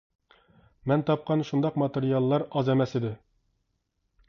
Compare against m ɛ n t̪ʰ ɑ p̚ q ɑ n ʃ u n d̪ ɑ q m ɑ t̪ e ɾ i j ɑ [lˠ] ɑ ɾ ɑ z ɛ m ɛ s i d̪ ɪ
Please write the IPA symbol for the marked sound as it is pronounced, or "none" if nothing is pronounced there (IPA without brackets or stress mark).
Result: lˠː